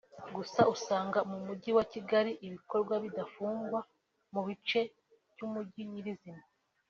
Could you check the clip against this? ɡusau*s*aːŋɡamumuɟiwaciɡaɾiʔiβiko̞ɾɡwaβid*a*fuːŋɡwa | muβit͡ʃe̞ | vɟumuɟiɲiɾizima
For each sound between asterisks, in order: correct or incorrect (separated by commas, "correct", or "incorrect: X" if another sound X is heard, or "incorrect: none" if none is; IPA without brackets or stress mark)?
correct, correct